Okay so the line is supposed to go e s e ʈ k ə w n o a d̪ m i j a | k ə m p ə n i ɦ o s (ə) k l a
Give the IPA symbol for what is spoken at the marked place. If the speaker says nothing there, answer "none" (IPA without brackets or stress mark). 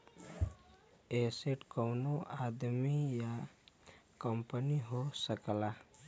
ə